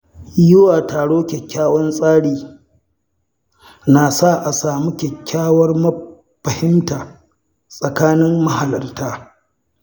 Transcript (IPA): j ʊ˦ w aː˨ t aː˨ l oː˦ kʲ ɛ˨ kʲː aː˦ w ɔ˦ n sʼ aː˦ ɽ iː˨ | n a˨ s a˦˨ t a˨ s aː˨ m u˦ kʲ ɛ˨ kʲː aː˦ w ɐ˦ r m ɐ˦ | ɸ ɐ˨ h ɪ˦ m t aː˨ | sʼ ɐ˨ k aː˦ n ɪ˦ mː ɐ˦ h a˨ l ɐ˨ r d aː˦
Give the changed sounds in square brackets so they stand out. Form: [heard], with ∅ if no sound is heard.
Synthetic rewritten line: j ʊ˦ w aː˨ t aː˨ [ɽ] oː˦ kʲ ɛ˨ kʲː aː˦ w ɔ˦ n sʼ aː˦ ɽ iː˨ | n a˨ s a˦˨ [ʔ] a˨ s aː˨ m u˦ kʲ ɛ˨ kʲː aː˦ w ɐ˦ r m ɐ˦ | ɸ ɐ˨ h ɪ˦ m t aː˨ | sʼ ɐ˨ k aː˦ n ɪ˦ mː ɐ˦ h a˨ l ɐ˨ r [t] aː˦

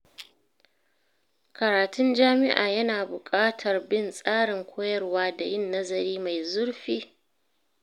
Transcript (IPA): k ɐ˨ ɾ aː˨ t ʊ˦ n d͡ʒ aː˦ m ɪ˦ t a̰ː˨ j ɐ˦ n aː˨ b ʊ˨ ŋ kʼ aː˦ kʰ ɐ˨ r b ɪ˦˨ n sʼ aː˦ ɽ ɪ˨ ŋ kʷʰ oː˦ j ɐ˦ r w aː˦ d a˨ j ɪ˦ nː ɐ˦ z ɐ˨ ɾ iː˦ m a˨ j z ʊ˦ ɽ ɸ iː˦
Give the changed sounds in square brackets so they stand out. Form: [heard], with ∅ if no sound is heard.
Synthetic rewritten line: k ɐ˨ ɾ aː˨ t ʊ˦ n d͡ʒ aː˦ m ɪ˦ [ʔ] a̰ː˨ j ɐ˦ n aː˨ b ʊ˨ [∅] kʼ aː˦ [tʰ] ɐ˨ r b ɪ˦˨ n sʼ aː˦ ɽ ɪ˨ ŋ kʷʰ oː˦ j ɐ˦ r w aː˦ d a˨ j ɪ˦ nː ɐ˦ z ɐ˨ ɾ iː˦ m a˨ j z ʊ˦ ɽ ɸ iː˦

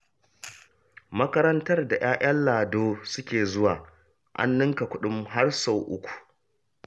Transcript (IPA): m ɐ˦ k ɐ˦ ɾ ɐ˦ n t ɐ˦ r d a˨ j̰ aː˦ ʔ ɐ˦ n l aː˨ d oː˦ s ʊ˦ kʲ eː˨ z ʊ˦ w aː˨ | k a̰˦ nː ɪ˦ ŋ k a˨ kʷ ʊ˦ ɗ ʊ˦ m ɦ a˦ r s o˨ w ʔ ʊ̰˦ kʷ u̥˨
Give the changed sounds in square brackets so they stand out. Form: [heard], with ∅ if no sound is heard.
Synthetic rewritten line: m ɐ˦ k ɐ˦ ɾ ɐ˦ n t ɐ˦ r d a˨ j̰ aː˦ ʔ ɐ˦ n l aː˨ d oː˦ s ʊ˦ kʲ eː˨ z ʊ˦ w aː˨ | [ʔ] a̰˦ nː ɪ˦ ŋ k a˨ kʷ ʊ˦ ɗ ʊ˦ m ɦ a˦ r s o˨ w ʔ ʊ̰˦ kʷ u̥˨

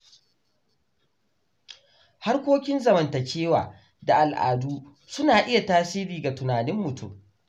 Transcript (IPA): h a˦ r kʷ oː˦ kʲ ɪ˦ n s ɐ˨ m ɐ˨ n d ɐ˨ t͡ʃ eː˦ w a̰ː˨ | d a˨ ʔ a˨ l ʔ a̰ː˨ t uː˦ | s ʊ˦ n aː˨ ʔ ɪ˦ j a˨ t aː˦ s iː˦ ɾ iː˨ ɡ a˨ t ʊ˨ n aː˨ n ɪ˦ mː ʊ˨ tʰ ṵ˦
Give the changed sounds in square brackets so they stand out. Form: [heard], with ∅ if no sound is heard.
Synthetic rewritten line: h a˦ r kʷ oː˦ kʲ ɪ˦ n [z] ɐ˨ m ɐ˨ n [t] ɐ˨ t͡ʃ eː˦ w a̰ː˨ | d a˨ ʔ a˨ l ʔ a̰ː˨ [d] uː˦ | s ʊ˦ n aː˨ ʔ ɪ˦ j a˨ t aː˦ s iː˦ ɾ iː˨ ɡ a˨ t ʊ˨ n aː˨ n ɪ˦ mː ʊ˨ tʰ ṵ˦

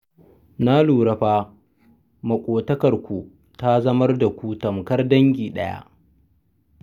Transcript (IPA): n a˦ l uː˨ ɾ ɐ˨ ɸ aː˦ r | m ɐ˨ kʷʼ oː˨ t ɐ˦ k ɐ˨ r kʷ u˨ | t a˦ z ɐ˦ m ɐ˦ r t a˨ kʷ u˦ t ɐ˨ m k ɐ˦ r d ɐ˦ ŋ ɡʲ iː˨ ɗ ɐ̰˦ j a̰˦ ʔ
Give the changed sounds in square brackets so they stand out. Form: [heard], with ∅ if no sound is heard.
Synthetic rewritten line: n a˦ l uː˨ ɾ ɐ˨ ɸ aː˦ [∅] | m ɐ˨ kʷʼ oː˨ t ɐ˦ k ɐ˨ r kʷ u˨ | t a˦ z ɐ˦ m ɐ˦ r [d] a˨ kʷ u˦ t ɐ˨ m k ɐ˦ r d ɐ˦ ŋ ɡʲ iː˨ ɗ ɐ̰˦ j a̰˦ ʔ

